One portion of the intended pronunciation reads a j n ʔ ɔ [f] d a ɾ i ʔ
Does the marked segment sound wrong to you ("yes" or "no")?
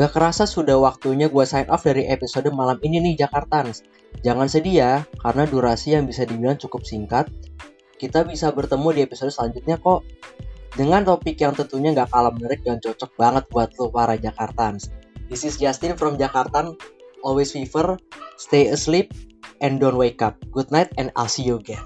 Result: no